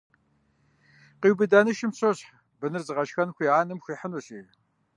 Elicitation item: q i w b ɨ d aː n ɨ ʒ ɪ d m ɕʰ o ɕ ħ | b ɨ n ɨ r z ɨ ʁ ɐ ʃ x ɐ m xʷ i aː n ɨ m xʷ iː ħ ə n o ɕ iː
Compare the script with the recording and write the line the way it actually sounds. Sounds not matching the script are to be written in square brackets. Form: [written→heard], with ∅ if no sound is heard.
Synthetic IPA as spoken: q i w b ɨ d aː n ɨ [ʒ→ʃ] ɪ [d→∅] m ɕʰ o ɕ ħ | b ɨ n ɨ r z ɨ ʁ ɐ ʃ x ɐ [m→n] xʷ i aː n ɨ m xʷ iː ħ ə n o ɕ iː